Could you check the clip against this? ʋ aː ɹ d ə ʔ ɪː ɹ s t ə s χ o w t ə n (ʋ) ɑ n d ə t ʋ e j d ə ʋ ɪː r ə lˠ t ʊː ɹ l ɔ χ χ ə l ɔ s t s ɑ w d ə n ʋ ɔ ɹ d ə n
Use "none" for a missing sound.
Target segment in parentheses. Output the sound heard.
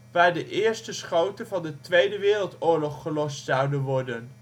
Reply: v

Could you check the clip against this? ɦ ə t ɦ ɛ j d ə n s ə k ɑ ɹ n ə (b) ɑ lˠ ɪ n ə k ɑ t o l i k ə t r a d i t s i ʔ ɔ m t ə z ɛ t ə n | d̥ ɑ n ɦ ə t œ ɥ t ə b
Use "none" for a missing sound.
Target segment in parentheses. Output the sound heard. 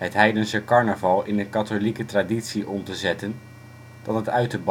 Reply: v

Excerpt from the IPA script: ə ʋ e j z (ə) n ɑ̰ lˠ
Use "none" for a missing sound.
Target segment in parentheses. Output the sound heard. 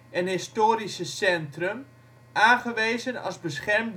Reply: ə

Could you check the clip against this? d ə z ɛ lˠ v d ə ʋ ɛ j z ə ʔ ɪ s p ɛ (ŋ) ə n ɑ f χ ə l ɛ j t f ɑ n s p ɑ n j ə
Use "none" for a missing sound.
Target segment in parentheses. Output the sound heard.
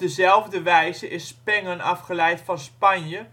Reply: ŋ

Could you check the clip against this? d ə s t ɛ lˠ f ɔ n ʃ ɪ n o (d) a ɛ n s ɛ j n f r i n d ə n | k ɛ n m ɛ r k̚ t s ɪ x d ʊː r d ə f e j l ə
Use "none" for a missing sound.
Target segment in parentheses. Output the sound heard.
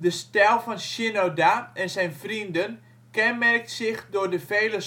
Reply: d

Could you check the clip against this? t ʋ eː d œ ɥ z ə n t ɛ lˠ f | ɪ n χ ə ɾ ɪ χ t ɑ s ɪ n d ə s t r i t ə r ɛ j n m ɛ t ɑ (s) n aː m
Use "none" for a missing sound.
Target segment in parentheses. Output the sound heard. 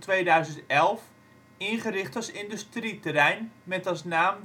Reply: s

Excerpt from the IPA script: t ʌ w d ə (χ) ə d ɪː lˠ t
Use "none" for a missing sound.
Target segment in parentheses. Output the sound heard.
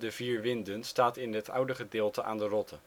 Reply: χ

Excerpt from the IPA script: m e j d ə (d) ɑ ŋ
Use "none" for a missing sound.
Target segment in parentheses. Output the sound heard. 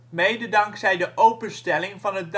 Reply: d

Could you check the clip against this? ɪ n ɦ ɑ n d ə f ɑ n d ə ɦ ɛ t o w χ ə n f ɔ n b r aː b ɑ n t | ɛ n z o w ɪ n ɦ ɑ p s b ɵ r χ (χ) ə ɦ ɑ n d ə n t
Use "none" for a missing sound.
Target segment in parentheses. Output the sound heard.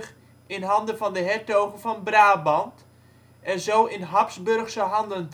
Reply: s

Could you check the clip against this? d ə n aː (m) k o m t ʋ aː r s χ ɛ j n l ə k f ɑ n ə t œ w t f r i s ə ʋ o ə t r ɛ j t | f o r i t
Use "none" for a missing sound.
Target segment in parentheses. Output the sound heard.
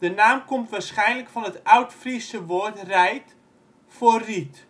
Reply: m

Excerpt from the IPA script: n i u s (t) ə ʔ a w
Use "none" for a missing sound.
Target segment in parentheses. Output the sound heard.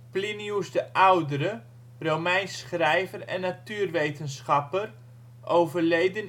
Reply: d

